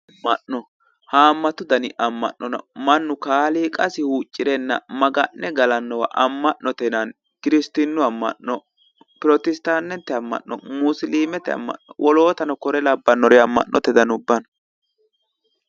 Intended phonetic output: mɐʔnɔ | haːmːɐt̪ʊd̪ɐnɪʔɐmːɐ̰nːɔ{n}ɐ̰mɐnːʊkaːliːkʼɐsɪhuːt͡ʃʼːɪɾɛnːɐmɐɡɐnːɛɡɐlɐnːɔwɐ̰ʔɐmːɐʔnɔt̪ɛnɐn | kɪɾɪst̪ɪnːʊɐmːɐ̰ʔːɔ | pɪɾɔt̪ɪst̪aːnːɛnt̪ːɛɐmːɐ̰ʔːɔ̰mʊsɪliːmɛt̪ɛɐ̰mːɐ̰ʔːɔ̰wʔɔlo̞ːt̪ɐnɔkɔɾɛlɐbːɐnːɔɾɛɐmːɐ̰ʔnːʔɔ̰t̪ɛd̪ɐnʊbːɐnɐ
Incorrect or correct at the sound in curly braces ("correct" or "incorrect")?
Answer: correct